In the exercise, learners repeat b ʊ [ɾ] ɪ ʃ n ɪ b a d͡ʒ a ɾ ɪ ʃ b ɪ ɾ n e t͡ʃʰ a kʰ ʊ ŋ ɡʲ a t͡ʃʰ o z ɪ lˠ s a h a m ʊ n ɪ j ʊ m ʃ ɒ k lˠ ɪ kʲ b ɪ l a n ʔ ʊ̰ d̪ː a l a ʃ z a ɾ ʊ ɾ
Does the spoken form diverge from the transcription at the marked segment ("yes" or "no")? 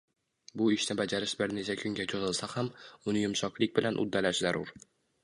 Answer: yes